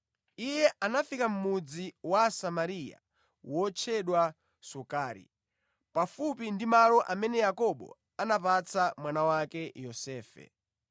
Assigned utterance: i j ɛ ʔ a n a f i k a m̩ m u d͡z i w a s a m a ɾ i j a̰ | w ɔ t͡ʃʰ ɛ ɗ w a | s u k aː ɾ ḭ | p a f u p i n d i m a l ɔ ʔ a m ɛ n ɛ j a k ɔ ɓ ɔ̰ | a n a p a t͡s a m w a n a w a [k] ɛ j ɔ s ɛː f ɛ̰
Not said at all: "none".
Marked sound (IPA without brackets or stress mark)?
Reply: k